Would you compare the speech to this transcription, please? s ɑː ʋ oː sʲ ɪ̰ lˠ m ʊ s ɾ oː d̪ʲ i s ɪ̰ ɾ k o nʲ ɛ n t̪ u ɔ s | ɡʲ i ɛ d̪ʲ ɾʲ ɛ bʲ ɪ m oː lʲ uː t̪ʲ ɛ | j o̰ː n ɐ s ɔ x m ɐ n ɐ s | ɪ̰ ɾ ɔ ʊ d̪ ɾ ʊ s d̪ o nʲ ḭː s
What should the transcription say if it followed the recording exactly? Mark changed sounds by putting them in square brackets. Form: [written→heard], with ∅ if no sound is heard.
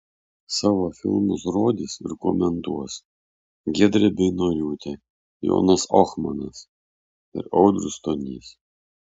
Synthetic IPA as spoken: s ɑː ʋ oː [sʲ→fʲ] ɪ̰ lˠ m ʊ s ɾ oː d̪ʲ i s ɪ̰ ɾ k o [nʲ→mʲ] ɛ n t̪ u ɔ s | ɡʲ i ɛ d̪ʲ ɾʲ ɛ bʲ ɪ [m→n] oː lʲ uː t̪ʲ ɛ | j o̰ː n ɐ s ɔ x m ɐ n ɐ s | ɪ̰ ɾ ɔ ʊ d̪ ɾ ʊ s [d̪→t̪] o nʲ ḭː s